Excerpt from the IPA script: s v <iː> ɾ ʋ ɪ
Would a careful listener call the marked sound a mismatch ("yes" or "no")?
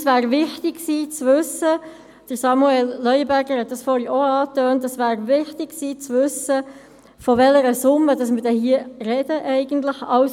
yes